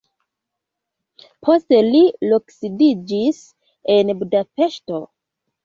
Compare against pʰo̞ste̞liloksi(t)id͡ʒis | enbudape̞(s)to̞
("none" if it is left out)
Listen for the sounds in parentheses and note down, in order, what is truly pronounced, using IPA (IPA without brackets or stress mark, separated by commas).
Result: d, ʃ